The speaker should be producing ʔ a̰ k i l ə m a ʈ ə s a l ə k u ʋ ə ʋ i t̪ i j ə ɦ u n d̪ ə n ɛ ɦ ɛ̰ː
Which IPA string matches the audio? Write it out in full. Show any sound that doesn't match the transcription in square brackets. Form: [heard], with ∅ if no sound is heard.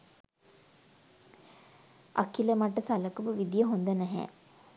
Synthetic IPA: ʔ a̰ k i l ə m a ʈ ə s a l ə k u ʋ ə ʋ i [d̪] i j ə ɦ [o] n d̪ ə n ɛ ɦ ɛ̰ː